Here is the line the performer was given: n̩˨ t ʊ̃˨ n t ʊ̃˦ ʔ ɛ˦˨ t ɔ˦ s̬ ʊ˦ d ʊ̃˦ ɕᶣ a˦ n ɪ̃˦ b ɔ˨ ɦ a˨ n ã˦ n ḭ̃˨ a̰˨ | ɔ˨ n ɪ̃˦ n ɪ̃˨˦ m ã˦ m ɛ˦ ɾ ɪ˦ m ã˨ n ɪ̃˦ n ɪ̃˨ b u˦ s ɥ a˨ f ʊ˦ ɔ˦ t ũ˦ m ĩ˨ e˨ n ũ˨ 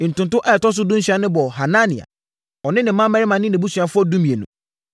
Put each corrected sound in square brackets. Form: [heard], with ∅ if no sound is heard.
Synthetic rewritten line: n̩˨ t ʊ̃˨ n t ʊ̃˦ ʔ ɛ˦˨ t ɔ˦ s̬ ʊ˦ d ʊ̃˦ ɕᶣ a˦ n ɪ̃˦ b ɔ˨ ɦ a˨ n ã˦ n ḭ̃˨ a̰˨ | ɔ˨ n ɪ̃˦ n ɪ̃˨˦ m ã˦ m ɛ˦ ɾ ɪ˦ m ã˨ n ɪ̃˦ n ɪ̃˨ b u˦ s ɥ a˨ f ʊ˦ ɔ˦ [d] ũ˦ m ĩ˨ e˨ n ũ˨